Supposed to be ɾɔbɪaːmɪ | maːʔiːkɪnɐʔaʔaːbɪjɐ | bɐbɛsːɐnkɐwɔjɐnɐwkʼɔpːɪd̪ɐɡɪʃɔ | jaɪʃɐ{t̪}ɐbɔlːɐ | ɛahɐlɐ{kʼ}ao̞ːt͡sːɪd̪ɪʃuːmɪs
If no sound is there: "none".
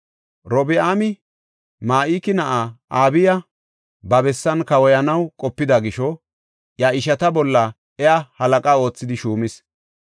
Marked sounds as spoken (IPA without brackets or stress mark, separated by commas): t̪, kʼ